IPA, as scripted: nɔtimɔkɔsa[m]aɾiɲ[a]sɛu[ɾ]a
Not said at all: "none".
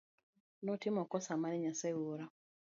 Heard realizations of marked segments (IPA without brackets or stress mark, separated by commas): m, a, ɾ